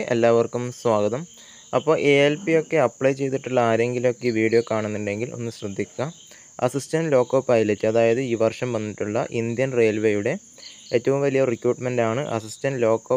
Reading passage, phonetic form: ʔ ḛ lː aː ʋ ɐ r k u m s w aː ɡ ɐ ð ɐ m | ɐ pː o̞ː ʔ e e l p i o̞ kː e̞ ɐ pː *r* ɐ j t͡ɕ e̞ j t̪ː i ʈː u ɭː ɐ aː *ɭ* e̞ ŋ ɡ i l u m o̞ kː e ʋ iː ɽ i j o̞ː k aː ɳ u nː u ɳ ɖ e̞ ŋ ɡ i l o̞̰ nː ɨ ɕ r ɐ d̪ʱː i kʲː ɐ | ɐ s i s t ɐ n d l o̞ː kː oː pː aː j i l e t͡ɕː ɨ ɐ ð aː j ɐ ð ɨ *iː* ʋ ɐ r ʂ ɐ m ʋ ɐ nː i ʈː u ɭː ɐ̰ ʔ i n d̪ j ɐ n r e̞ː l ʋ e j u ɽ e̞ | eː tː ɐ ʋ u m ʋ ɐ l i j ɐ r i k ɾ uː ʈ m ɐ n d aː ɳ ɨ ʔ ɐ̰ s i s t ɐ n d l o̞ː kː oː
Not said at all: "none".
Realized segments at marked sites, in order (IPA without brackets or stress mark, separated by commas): ɭ, ɾ, iː